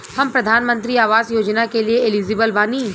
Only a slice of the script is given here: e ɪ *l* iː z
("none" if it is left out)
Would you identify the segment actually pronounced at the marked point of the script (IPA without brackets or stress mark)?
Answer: l